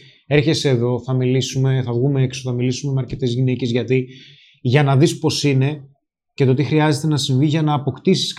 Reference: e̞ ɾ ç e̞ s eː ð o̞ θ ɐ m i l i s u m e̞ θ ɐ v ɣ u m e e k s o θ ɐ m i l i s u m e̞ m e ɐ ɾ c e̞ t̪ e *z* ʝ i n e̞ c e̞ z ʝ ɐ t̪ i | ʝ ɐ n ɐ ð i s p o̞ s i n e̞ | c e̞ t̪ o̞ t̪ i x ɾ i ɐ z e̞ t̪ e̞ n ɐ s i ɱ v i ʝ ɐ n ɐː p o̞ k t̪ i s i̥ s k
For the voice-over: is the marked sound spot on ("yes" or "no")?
yes